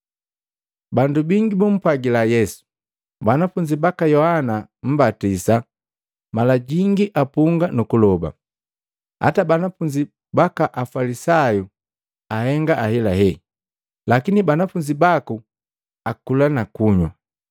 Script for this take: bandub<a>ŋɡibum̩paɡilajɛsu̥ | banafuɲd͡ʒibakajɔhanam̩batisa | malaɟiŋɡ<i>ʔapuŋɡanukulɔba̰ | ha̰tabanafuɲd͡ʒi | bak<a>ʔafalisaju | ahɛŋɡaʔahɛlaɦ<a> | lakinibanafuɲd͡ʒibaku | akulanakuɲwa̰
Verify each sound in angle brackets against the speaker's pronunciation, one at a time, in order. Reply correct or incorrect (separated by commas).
incorrect, correct, correct, incorrect